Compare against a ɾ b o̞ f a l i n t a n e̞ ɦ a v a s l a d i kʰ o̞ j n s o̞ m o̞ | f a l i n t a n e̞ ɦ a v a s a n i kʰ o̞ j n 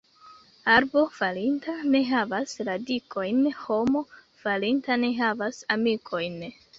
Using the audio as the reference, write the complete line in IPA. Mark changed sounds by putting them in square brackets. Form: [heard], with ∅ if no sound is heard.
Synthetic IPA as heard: a ɾ b o̞ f a l i n t a n e̞ ɦ a v a s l a d i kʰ o̞ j n [h] o̞ m o̞ | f a l i n t a n e̞ ɦ a v a s a [m] i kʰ o̞ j n